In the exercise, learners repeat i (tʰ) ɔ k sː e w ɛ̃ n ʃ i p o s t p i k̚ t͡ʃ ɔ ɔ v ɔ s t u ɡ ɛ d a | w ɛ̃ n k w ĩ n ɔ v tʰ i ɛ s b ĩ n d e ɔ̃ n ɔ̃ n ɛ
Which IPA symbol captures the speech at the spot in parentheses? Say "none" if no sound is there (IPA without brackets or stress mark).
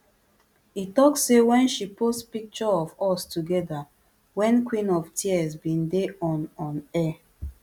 t